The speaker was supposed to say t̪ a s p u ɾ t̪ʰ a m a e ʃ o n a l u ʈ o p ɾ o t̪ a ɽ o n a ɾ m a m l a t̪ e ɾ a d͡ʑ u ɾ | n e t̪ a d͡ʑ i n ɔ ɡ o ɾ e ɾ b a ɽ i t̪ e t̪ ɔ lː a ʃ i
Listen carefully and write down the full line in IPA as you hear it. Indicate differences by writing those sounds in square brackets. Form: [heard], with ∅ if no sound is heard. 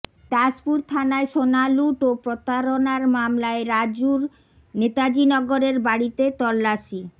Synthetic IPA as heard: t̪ a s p u ɾ t̪ʰ a [n] a e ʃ o n a l u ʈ o p ɾ o t̪ a [ɾ] o n a ɾ m a m l a [∅] e ɾ a d͡ʑ u ɾ | n e t̪ a d͡ʑ i n ɔ ɡ o ɾ e ɾ b a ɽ i t̪ e t̪ ɔ lː a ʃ i